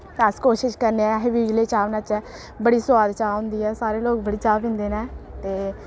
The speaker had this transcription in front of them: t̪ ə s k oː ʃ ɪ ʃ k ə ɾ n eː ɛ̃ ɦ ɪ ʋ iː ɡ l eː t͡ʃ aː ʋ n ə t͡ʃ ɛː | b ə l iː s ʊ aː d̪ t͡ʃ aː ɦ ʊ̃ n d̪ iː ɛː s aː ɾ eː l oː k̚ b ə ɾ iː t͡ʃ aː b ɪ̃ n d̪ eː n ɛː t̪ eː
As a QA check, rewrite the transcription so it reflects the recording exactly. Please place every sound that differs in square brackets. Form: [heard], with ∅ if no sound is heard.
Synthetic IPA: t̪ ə s k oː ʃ ɪ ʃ k ə ɾ n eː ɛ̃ ɦ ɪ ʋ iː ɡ l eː t͡ʃ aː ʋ n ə t͡ʃ ɛː | b ə [ɽ] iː s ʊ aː d̪ t͡ʃ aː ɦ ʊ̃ n d̪ iː ɛː s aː ɾ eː l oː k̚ b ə [ɽ] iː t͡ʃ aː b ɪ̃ n d̪ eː n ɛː t̪ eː